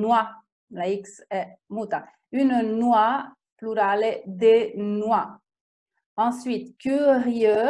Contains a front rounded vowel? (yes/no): yes